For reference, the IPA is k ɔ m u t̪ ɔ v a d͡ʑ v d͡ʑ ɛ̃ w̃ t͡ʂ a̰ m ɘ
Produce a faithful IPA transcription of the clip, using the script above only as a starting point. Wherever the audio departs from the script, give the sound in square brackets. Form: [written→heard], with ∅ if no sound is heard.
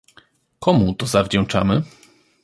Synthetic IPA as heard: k ɔ m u t̪ ɔ [v→z] a [d͡ʑ→∅] v d͡ʑ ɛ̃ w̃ t͡ʂ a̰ m ɘ